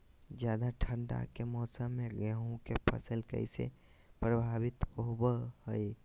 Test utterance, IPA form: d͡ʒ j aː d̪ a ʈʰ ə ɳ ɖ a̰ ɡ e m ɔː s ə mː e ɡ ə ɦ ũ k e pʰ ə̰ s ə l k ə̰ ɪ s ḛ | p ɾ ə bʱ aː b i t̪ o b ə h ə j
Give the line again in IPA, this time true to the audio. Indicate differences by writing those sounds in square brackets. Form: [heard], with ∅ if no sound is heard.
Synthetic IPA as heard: d͡ʒ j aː d̪ a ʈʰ ə ɳ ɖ a̰ [k] e m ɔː s ə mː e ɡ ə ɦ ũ k e pʰ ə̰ s ə l k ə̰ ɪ s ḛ | p ɾ ə bʱ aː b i t̪ o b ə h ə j